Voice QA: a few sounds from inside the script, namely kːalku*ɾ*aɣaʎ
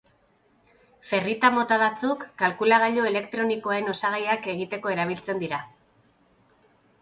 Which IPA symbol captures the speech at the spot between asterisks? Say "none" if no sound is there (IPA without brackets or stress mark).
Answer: l